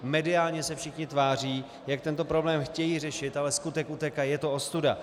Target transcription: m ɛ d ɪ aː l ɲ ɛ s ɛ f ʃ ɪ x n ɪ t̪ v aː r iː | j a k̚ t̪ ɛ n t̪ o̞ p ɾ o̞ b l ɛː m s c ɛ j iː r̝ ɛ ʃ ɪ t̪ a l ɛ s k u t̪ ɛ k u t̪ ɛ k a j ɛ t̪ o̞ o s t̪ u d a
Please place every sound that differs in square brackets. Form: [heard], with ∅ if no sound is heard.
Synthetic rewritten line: m ɛ d ɪ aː l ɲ ɛ s ɛ f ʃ ɪ x [ɲ] ɪ t̪ v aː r iː | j a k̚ t̪ ɛ n t̪ o̞ p ɾ o̞ b l ɛː m [x] c ɛ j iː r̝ ɛ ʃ ɪ t̪ a l ɛ s k u t̪ ɛ k u t̪ ɛ k a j ɛ t̪ o̞ o s t̪ u d a